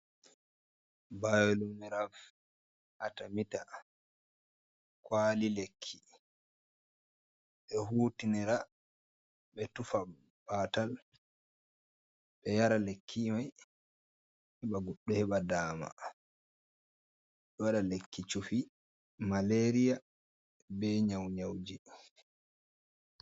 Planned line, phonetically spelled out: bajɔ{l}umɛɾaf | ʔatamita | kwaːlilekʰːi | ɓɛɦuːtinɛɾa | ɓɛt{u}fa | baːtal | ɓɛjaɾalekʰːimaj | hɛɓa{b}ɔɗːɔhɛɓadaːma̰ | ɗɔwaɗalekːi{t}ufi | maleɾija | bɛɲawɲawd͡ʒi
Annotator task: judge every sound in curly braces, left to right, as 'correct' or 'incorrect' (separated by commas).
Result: correct, correct, incorrect, incorrect